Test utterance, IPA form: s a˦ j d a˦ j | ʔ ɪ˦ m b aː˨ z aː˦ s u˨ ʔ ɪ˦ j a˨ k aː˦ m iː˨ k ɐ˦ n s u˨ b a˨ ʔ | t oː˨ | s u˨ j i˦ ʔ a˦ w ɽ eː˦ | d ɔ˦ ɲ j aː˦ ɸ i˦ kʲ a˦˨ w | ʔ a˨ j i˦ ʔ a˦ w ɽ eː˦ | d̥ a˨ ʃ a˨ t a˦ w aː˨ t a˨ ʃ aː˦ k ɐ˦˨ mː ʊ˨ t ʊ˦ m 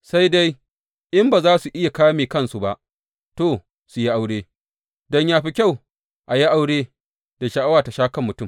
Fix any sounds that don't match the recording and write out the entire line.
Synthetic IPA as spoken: s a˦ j d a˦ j | ʔ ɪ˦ m b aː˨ z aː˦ s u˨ ʔ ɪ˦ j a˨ k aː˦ m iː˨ k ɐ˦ n s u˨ b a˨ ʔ | t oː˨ | s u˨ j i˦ ʔ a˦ w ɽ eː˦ | d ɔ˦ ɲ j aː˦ ɸ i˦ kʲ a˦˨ w | ʔ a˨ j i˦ ʔ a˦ w ɽ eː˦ | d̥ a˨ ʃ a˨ ʔ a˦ w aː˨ t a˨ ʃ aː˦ k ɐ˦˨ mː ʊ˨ t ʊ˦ m